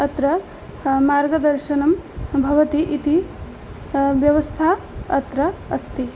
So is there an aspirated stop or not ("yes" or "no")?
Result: yes